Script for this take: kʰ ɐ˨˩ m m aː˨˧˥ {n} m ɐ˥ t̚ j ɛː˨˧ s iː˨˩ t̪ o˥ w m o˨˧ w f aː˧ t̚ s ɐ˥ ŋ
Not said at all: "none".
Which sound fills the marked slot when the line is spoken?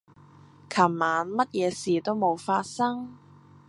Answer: n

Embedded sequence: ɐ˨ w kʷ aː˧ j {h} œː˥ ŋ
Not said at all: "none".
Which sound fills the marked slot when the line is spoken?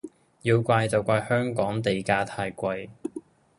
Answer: h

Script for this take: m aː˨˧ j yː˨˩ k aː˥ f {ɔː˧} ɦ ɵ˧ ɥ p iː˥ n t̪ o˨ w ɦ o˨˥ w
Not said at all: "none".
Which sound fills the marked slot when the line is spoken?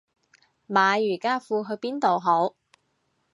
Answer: uː˧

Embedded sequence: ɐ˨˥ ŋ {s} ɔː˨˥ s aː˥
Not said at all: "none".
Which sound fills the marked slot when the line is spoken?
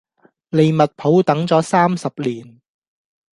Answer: t͡s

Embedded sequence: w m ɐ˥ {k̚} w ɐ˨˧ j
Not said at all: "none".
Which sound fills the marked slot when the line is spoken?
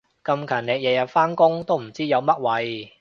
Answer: t̚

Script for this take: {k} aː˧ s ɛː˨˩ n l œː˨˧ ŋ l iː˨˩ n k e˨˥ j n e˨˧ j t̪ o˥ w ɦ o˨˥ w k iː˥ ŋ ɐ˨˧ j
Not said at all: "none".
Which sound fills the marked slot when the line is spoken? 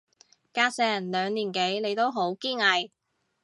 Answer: k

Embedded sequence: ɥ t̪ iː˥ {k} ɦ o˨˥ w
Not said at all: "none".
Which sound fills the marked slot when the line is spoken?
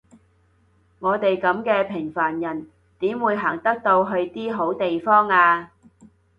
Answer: none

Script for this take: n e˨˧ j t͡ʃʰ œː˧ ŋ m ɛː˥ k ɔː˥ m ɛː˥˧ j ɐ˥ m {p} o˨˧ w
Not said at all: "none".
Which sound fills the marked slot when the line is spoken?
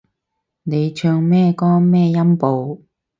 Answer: p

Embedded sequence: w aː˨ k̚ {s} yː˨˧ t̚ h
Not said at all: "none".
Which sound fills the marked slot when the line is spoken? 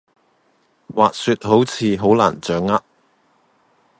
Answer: s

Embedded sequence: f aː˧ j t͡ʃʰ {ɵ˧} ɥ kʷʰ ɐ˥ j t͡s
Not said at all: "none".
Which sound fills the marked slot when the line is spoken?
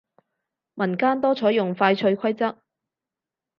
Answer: ɵ˧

